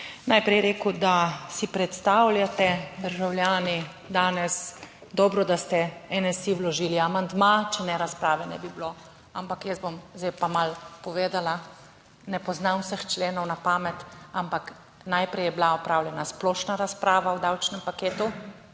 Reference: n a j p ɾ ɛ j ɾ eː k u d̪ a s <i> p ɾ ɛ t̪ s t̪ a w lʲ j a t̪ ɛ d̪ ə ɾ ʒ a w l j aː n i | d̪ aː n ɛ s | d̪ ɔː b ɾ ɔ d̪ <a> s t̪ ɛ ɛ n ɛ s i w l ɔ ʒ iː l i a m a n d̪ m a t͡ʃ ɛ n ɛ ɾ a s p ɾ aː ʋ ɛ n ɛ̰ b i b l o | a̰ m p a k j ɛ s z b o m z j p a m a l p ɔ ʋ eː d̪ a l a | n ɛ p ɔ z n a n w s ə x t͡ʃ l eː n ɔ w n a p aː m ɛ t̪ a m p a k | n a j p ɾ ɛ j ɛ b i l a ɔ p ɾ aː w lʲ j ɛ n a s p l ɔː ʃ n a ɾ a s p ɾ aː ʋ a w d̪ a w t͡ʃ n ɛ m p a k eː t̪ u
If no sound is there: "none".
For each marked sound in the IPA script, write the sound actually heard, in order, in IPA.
i, a

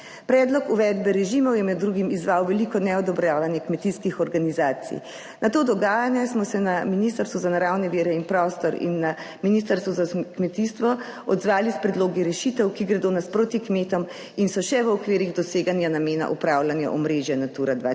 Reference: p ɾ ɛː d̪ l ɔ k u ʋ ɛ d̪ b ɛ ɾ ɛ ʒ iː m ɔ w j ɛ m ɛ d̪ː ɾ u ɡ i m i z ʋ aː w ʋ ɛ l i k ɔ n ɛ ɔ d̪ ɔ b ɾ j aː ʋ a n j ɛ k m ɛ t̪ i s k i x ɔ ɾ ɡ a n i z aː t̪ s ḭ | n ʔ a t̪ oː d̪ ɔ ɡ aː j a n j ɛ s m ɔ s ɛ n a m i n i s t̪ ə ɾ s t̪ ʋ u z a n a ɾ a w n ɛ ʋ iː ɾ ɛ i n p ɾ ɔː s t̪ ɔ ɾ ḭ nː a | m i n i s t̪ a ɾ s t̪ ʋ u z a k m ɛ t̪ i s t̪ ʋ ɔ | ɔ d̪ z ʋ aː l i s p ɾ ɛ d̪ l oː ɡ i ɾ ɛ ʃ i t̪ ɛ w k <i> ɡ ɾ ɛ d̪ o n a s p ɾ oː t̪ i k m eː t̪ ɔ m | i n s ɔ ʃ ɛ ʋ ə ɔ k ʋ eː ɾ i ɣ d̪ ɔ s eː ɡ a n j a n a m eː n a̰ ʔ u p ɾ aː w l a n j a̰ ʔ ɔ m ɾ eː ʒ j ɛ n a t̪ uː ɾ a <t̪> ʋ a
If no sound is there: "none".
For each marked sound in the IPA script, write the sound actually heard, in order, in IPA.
i, d̪

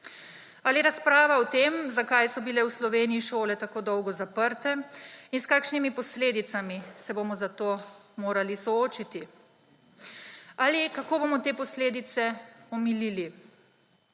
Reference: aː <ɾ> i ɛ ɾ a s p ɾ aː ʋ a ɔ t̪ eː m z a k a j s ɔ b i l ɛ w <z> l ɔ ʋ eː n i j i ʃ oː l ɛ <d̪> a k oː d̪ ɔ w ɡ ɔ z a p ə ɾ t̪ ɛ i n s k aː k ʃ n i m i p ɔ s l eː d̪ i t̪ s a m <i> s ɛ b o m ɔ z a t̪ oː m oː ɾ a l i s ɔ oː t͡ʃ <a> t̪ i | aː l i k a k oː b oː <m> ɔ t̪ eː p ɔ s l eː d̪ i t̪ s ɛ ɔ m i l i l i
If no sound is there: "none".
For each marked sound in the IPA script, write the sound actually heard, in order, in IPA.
l, s, t̪, i, i, m

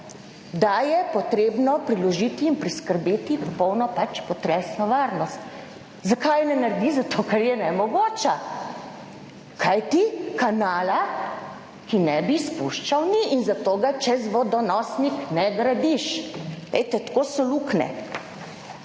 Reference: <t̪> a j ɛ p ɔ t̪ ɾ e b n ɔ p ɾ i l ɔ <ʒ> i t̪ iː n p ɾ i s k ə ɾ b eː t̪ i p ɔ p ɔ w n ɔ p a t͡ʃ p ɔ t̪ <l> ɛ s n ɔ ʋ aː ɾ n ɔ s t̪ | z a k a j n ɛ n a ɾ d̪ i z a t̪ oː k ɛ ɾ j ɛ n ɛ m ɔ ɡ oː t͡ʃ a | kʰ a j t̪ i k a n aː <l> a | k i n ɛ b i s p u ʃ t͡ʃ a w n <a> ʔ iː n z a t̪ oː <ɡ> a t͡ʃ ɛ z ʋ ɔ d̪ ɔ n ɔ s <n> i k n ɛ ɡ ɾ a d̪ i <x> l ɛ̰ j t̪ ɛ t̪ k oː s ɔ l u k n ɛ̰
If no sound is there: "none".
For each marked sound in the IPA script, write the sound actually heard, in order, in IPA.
d̪, ʒ, ɾ, l, i, ɡ, n, ʃ

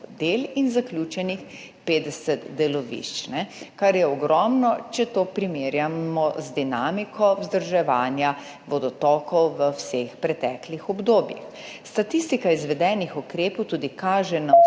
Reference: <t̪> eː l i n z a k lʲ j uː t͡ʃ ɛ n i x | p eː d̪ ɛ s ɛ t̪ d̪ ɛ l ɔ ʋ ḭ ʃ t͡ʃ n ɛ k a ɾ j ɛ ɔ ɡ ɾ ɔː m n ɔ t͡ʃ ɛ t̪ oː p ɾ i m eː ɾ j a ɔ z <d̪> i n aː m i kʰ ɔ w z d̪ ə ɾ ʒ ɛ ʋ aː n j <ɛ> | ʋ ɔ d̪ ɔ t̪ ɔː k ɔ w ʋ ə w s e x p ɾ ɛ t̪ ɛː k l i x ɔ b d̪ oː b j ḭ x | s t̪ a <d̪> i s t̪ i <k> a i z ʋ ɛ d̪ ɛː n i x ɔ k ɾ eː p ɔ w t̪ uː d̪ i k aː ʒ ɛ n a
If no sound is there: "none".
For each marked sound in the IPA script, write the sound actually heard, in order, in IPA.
d̪, d̪, a, t̪, k

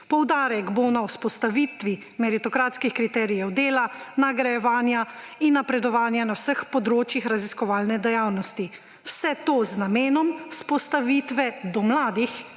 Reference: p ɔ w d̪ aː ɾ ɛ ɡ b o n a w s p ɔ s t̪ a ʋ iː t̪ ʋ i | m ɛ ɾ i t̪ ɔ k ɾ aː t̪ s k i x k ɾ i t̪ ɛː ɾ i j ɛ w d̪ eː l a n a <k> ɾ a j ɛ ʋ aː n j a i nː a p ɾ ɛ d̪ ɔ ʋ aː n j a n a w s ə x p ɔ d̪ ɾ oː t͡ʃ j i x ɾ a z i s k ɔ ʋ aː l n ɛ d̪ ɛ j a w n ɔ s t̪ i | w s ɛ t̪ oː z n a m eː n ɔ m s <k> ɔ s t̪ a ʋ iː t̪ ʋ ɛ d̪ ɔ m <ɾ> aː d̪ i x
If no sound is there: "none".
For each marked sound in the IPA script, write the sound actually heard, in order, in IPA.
ɡ, p, l

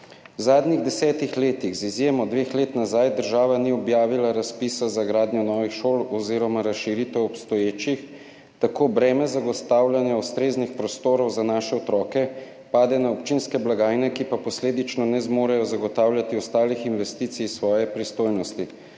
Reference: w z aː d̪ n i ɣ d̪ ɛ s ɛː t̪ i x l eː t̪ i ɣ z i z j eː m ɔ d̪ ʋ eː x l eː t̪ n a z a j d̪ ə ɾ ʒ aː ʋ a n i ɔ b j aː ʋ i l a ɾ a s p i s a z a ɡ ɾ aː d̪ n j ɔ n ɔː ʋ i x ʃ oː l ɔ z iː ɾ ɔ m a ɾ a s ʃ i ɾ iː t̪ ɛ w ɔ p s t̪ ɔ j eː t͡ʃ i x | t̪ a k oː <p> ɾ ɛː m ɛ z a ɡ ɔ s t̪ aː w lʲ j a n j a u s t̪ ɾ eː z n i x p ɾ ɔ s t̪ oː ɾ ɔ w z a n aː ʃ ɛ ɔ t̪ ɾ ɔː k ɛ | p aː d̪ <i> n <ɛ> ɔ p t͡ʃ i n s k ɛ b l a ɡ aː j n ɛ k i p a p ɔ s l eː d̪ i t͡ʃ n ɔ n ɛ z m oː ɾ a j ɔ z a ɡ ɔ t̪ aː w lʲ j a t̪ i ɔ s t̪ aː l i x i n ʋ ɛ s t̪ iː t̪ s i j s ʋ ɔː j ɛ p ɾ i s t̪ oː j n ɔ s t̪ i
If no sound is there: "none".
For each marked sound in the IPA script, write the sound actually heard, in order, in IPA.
b, ɛ, a

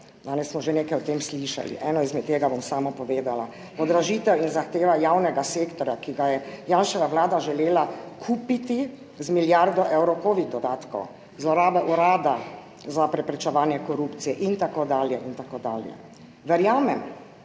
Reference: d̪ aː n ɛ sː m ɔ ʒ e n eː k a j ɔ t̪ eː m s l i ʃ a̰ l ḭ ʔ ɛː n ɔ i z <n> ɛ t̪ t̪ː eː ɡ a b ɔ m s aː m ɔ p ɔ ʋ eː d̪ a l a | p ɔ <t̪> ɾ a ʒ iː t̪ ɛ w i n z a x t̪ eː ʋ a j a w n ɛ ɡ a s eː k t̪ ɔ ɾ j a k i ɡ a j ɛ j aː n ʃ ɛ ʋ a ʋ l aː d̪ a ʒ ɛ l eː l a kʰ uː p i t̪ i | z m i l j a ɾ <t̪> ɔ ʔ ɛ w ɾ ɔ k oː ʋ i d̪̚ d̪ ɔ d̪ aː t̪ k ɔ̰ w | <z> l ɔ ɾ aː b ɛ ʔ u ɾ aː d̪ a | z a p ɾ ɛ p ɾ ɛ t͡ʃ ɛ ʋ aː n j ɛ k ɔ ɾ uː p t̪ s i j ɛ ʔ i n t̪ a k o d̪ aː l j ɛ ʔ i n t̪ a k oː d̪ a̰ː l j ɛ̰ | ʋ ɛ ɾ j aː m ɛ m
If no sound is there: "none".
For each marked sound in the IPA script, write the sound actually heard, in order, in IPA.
m, d̪, d̪, z

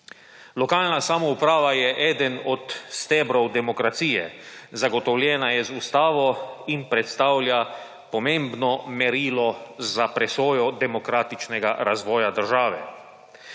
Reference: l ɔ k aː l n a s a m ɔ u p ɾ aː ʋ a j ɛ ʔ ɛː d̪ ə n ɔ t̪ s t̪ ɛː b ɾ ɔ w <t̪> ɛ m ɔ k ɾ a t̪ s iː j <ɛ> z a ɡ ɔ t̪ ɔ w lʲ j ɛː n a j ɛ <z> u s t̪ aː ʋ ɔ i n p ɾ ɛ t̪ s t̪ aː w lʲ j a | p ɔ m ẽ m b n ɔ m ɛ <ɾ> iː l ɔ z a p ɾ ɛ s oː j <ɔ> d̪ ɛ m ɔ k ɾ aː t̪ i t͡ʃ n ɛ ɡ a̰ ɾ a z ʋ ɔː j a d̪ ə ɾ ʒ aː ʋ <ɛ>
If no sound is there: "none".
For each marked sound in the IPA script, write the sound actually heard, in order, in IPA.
d̪, ɛ, z, ɾ, ɔ, ɛ

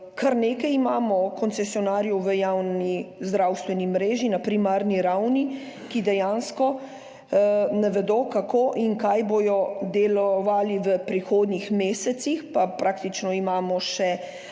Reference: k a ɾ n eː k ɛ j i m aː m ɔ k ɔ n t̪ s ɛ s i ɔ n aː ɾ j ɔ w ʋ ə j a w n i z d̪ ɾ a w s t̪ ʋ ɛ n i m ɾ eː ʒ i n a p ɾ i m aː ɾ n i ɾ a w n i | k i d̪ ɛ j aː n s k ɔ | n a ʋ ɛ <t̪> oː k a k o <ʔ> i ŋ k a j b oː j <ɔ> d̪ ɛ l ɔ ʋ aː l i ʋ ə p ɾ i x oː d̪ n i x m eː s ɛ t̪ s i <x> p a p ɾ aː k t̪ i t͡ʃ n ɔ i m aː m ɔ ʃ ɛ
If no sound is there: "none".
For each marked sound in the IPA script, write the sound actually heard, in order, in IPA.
d̪, ʔ, ɔ, x

